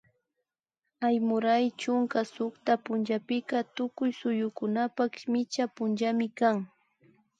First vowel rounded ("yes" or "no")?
no